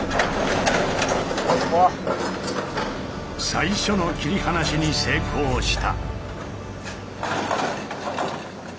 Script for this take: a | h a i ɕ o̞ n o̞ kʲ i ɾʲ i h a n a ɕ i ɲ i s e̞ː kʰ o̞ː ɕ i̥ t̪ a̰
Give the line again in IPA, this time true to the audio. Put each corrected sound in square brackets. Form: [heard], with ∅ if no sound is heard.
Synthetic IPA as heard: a | [s] a i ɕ o̞ n o̞ kʲ i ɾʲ i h a n a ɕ i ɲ i s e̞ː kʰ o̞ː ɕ i̥ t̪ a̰